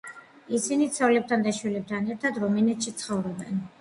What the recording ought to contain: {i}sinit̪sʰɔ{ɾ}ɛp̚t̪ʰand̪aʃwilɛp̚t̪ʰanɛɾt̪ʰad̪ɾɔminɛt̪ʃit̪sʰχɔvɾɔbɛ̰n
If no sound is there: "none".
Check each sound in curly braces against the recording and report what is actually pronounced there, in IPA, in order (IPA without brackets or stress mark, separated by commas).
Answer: i, l